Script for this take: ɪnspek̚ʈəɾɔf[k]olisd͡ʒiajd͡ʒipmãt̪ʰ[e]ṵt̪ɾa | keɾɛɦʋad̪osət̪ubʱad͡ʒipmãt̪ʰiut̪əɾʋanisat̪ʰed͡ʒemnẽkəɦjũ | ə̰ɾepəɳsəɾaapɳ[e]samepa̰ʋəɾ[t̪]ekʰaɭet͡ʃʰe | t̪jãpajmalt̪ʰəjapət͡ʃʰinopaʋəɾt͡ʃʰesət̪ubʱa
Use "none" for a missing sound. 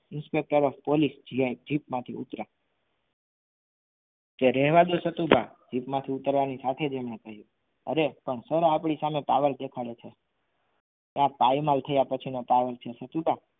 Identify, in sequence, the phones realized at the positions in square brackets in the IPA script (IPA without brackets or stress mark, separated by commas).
p, i, i, d̪